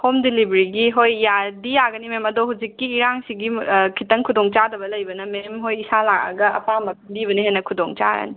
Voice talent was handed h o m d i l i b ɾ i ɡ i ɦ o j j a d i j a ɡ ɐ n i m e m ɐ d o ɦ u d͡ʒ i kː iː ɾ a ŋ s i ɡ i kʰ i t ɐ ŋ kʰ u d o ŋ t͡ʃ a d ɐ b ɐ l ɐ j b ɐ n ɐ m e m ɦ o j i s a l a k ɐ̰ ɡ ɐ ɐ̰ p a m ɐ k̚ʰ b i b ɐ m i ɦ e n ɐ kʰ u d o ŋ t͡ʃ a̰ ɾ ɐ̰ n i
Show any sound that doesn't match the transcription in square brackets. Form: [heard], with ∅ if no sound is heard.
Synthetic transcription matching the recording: h o m d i l i b ɾ i ɡ i ɦ o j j a d i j a ɡ ɐ n i m e m ɐ d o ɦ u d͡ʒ i kː iː ɾ a ŋ s i ɡ i kʰ i t ɐ ŋ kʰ u d o ŋ t͡ʃ a d ɐ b ɐ l ɐ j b ɐ n ɐ m e m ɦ o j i s a l a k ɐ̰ ɡ ɐ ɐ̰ p a m ɐ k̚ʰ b i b ɐ [n] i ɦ e n ɐ kʰ u d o ŋ t͡ʃ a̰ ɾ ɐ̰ n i